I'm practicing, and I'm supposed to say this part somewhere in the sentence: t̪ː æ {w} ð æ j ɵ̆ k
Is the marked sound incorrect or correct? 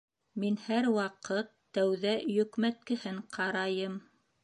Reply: correct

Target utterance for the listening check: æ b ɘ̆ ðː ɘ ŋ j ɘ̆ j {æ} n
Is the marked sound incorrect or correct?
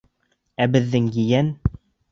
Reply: correct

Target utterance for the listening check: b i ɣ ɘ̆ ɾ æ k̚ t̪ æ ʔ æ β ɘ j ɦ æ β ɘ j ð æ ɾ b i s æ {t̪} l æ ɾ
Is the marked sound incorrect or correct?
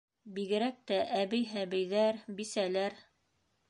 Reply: incorrect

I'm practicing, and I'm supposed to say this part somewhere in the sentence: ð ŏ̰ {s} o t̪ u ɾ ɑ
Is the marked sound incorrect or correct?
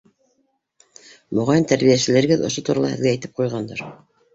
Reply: incorrect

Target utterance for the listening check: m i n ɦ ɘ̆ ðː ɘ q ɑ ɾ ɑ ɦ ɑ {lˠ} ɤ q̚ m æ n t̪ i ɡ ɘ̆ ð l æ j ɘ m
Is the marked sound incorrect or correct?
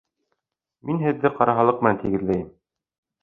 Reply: correct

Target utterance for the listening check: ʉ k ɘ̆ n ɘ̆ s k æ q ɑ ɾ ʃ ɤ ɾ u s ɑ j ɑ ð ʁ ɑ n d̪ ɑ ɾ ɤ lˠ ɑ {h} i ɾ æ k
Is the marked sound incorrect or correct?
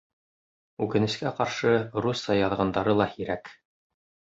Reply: correct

